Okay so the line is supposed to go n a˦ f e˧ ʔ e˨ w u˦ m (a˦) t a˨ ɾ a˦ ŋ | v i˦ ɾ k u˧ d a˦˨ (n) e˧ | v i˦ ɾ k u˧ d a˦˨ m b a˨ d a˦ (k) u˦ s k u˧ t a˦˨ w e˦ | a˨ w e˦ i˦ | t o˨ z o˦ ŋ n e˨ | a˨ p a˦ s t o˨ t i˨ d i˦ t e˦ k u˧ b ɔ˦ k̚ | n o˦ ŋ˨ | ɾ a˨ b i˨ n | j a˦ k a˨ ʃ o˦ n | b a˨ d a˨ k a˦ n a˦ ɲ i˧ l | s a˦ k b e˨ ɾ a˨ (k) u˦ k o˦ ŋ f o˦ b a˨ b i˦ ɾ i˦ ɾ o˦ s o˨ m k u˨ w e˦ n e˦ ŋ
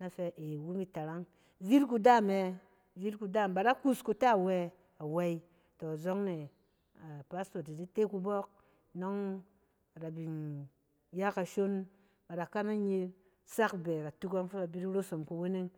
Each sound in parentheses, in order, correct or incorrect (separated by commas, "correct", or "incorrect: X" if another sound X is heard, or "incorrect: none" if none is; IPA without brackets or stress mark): incorrect: i˦, incorrect: m, correct, incorrect: t